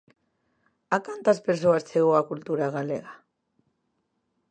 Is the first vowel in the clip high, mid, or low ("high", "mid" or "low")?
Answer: low